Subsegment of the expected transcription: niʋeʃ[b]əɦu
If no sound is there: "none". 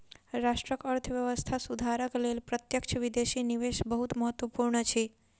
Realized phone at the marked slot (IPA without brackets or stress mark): b